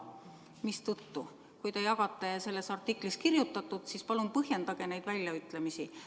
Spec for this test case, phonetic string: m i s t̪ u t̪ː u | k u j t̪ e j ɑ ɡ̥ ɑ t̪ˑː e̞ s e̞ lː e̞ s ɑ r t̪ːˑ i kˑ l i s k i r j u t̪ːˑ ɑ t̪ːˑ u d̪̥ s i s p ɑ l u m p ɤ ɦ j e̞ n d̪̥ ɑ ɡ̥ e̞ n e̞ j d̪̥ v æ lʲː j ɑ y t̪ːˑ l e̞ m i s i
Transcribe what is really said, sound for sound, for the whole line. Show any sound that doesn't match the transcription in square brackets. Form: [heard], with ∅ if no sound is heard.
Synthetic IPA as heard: m i s t̪ u t̪ː u | k u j t̪ e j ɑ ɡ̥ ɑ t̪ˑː e̞ s e̞ lː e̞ s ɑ r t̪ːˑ i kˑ l i s k i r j u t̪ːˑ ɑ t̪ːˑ u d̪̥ s i s p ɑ l u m p ɤ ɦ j e̞ n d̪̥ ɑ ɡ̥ e̞ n e̞ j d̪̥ v æ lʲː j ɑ y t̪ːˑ l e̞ m i s i